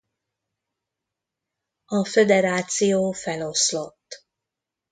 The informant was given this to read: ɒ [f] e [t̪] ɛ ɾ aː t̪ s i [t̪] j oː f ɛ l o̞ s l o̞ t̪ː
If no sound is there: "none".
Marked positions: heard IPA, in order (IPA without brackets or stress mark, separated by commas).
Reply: f, d̪, none